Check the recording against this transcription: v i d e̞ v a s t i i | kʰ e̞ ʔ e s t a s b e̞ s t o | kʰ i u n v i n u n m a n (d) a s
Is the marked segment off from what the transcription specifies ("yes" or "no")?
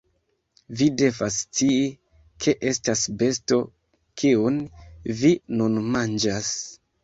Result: yes